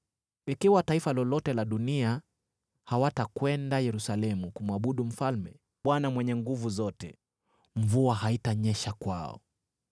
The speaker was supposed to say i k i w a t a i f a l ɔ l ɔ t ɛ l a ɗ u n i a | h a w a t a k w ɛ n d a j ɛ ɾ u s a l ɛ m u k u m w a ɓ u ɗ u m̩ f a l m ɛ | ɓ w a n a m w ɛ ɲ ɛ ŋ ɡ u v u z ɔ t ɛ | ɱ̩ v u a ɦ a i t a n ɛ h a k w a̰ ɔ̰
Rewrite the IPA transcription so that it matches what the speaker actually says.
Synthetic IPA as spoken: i k i w a t a i f a l ɔ l ɔ t ɛ l a ɗ u n i a | h a w a t a k w ɛ n d a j ɛ ɾ u s a l ɛ m u k u m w a ɓ u ɗ u m̩ f a l m ɛ | ɓ w a n a m w ɛ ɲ ɛ ŋ ɡ u v u z ɔ t ɛ | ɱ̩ v u a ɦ a i t a ɲ ɛ ʃ a k w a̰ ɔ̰

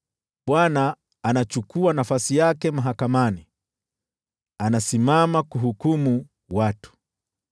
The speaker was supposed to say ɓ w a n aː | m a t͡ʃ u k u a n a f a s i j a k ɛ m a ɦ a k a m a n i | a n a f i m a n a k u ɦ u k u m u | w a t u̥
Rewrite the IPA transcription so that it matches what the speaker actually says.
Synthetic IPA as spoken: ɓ w a n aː | n a t͡ʃ u k u a n a f a s i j a k ɛ m a ɦ a k a m a n i | a n a s i m a m a k u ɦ u k u m u | w a t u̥

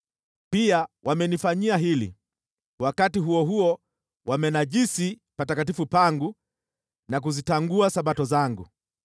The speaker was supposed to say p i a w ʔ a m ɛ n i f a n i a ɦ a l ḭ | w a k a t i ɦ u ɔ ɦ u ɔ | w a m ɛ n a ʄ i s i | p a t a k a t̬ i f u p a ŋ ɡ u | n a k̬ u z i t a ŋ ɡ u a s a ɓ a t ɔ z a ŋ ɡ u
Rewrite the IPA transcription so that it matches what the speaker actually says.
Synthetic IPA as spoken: p i a w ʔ a m ɛ n i f a ɲ i a ɦ i l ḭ | w a k a t i ɦ u ɔ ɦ u ɔ | w a m ɛ n a ʄ i s i | p a t a k a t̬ i f u p a ŋ ɡ u | n a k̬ u z i t a ŋ ɡ u a s a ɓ a t ɔ z a ŋ ɡ u

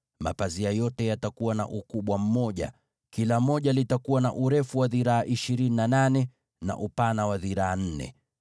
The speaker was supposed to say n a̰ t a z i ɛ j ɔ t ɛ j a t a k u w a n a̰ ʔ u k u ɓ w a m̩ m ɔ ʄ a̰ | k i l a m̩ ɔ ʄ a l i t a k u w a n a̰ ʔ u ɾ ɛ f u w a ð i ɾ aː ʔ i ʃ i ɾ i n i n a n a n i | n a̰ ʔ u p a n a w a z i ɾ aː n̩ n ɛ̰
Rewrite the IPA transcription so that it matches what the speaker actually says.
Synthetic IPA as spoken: m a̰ p a z i a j ɔ t ɛ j a t a k u w a n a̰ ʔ u k u ɓ w a m̩ m ɔ ʄ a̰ | k i l a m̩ ɔ ʄ a l i t a k u w a n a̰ ʔ u ɾ ɛ f u w a ð i ɾ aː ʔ i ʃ i ɾ i n i n a n a n ɛ | n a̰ ʔ u p a n a w a ð i ɾ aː n̩ n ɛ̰

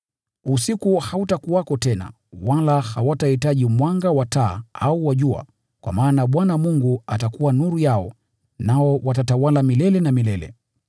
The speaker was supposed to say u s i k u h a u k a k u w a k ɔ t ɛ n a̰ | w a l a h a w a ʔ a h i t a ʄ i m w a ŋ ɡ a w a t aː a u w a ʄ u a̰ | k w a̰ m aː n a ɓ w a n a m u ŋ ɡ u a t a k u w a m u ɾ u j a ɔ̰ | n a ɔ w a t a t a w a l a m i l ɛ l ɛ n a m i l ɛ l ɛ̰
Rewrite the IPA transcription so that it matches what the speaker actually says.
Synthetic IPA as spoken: u s i k u h a u t a k u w a k ɔ t ɛ n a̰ | w a l a h a w a t a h i t a ʄ i m w a ŋ ɡ a w a t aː a u w a ʄ u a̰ | k w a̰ m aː n a ɓ w a n a m u ŋ ɡ u a t a k u w a n u ɾ u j a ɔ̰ | n a ɔ w a t a t a w a l a m i l ɛ l ɛ n a m i l ɛ l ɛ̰

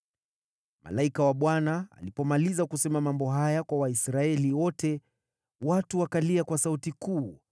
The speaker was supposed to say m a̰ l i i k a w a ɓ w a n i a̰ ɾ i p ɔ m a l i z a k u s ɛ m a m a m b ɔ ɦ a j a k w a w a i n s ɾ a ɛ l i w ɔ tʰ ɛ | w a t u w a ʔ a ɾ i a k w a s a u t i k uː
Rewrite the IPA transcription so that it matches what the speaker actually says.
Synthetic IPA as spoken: m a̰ l a i k a w a ɓ w a n a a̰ l i p ɔ m a l i z a k u s ɛ m a m a m b ɔ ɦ a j a k w a w a i s ɾ a ɛ l i w ɔ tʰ ɛ | w a t u w a k a l i a k w a s a u t i k uː

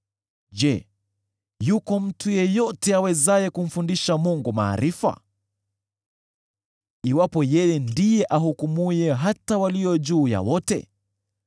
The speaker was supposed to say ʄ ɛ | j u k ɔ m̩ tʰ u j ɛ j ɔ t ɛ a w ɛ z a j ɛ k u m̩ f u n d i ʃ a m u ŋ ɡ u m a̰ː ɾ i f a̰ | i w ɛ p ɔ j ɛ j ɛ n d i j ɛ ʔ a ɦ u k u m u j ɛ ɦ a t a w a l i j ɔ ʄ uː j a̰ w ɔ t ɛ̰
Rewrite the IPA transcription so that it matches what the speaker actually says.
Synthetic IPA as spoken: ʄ ɛ | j u k ɔ m̩ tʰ u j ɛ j ɔ t ɛ a w ɛ z a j ɛ k u m̩ f u n d i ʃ a m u ŋ ɡ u m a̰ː ɾ i f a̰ | i w a p ɔ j ɛ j ɛ n d i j ɛ ʔ a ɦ u k u m u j ɛ ɦ a t a w a l i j ɔ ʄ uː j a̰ w ɔ t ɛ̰

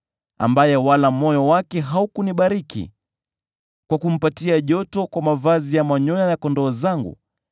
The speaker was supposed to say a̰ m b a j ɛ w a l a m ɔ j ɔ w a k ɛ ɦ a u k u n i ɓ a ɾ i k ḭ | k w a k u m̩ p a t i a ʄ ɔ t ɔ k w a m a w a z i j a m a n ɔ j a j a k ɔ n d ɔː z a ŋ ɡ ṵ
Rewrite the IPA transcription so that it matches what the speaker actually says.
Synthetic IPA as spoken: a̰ m b a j ɛ w a l a m ɔ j ɔ w a k ɛ ɦ a u k u n i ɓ a ɾ i k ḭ | k w a k u m̩ p a t i a ʄ ɔ t ɔ k w a m a v a z i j a m a ɲ ɔ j a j a k ɔ n d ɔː z a ŋ ɡ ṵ

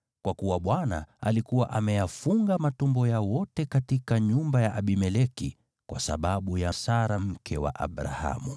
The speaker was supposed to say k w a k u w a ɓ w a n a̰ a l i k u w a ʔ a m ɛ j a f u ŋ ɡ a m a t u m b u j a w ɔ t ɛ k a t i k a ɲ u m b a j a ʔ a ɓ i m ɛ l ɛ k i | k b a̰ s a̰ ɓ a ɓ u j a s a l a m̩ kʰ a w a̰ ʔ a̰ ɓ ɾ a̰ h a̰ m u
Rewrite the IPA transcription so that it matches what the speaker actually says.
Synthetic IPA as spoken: k w a k u w a ɓ w a n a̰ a l i k u w a ʔ a m ɛ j a f u ŋ ɡ a m a t u m b ɔ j a w ɔ t ɛ k a t i k a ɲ u m b a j a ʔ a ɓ i m ɛ l ɛ k i | k w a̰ s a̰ ɓ a ɓ u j a s a ɾ a m̩ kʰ ɛ w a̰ ʔ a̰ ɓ ɾ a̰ h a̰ m u

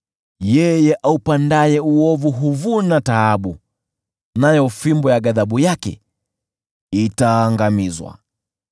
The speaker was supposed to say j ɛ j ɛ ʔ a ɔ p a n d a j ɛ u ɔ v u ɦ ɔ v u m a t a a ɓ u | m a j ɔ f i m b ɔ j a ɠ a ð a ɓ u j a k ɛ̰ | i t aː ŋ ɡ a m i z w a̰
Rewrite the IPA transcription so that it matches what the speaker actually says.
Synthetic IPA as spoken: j ɛ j ɛ ʔ a u p a n d a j ɛ u ɔ v u ɦ u v u n a t a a ɓ u | n a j ɔ f i m b ɔ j a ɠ a ð a ɓ u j a k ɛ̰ | i t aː ŋ ɡ a m i z w a̰

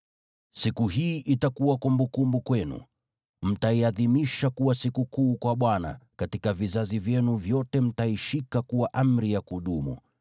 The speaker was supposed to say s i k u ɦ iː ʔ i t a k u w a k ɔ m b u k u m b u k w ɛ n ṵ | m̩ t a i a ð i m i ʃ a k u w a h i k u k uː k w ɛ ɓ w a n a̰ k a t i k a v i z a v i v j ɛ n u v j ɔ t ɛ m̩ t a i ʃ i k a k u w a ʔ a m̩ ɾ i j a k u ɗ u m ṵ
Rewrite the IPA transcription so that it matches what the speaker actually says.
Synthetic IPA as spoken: s i k u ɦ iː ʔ i t a k u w a k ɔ m b u k u m b u k w ɛ n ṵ | m̩ t a i a ð i m i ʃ a k u w a s i k u k uː k w a ɓ w a n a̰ k a t i k a v i z a z i v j ɛ n u v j ɔ t ɛ m̩ t a i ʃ i k a k u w a ʔ a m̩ ɾ i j a k u ɗ u m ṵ

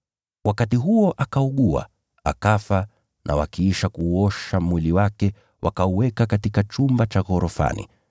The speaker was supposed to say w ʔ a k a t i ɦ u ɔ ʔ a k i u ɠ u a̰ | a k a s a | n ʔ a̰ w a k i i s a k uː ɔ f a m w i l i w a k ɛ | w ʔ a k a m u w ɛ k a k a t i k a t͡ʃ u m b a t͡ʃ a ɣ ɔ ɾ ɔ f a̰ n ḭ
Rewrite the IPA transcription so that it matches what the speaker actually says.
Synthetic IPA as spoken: w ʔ a k a t i ɦ u ɔ ʔ a k a u ɠ u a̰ | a k a f a | n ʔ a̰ w a k i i ʃ a k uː ɔ ʃ a m w i l i w a k ɛ | w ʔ a k a u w ɛ k a k a t i k a t͡ʃ u m b a t͡ʃ a ɣ ɔ ɾ ɔ f a̰ n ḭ

